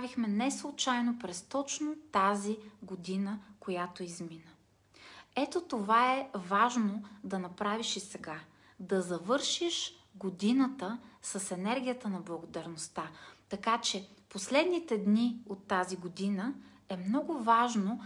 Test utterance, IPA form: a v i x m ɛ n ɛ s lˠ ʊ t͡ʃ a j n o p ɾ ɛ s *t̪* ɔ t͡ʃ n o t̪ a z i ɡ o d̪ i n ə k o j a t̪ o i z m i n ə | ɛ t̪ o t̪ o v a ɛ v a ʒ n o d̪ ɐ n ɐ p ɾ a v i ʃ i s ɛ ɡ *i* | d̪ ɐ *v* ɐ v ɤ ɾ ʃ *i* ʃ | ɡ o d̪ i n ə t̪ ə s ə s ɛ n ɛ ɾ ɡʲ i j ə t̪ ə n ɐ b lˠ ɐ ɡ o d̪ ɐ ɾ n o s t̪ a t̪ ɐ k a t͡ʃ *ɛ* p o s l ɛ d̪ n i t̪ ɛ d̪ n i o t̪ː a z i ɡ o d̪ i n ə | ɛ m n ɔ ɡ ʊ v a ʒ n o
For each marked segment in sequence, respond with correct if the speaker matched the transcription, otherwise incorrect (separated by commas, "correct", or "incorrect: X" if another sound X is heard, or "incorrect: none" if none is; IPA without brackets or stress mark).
correct, incorrect: a, incorrect: z, correct, correct